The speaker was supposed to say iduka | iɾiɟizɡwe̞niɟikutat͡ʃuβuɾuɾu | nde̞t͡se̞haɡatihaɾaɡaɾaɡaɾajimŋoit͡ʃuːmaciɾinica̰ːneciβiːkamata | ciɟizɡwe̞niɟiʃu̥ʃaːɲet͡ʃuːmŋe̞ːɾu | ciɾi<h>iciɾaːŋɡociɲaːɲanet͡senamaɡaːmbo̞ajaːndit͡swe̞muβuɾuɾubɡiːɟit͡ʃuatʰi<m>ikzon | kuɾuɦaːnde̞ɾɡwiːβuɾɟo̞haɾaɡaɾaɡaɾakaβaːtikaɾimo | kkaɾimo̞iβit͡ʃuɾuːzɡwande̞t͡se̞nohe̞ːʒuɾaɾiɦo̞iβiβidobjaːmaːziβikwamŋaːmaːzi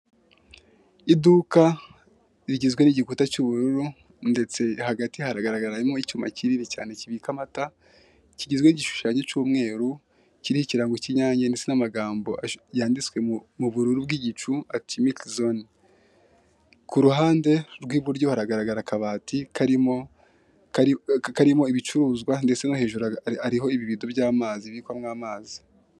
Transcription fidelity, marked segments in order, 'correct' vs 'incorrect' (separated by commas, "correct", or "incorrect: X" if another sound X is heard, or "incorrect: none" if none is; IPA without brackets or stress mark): correct, correct